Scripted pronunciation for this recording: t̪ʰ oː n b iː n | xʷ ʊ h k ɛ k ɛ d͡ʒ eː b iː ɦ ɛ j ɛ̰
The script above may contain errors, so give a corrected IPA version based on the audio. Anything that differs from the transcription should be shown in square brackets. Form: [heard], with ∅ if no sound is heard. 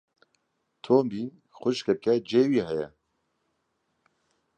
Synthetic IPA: t̪ʰ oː [m] b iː n | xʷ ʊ [ʃ] k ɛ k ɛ d͡ʒ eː [w] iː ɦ ɛ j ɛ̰